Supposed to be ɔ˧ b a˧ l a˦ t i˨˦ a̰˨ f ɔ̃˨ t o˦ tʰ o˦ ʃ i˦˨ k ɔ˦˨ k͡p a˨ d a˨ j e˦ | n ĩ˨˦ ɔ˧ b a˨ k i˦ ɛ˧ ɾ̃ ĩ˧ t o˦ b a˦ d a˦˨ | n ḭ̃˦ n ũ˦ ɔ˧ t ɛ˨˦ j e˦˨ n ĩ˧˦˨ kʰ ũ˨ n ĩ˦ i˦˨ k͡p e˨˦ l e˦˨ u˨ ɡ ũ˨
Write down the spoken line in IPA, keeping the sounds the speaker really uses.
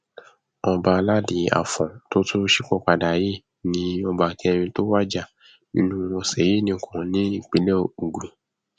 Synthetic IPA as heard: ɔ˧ b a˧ l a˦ d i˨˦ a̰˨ f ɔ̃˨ t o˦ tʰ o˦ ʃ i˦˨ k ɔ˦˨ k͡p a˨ d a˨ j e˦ | n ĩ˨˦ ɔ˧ b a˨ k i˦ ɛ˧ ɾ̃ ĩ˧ t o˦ w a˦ d͡ʒ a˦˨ | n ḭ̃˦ n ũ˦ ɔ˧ s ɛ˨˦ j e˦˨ n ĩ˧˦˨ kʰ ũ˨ n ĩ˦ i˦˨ k͡p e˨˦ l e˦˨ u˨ ɡ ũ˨